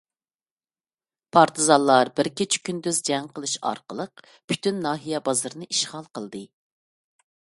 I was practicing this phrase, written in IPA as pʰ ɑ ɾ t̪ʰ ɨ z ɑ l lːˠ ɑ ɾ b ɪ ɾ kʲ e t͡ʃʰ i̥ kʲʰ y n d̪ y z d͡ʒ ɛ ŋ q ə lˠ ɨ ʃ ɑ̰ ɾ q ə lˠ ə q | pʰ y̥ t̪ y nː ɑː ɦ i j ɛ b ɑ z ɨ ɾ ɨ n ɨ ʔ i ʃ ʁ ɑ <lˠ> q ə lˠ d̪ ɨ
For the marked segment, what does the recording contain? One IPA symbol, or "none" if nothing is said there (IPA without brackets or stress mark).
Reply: lˠ